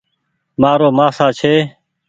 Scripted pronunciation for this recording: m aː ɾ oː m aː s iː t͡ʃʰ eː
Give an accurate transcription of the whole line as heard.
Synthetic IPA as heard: m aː ɾ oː m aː s aː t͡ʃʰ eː